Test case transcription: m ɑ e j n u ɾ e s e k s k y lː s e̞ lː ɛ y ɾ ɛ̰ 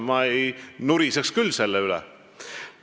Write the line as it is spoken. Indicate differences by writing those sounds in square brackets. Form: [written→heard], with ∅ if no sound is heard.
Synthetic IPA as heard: m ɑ e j n u ɾ [e→i] s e k s k y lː s e̞ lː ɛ y [ɾ→l] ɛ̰